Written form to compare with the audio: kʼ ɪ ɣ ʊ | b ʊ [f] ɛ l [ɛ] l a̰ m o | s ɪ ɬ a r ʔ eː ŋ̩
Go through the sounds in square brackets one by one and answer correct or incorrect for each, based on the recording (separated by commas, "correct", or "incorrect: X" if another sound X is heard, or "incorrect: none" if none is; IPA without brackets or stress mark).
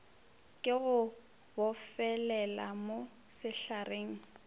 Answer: correct, correct